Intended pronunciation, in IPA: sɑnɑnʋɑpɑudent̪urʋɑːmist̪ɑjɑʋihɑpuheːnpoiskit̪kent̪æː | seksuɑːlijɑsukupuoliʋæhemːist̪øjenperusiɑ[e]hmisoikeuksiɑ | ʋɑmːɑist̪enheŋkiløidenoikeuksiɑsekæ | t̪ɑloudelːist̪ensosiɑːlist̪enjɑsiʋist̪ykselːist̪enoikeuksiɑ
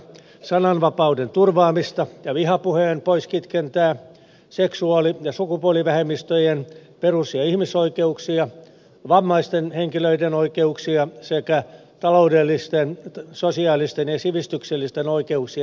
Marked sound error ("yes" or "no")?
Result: yes